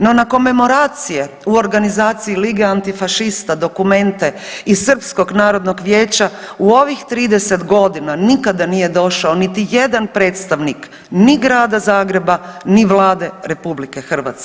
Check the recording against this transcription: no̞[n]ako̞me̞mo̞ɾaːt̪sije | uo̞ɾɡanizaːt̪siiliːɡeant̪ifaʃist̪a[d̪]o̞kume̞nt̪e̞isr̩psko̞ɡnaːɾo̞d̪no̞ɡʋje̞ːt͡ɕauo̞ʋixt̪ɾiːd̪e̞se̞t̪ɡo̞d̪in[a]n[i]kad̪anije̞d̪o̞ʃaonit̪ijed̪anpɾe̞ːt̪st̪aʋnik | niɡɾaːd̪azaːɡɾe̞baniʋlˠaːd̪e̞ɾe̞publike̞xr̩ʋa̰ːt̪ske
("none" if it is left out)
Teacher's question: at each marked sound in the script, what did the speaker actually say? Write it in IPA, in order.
n, d̪, a, i

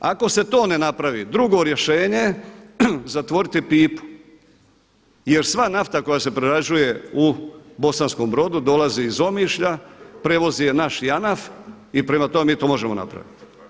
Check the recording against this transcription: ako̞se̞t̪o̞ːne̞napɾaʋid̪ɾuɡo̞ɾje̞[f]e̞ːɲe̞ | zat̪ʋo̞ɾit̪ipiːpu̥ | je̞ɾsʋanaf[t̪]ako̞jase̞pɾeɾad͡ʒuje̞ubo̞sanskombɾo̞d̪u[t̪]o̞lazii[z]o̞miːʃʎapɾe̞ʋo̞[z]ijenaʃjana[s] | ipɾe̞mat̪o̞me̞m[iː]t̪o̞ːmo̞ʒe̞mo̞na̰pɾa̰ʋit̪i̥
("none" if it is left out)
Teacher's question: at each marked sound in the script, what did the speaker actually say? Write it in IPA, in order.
ʃ, t̪, d̪, z, z, f, iː

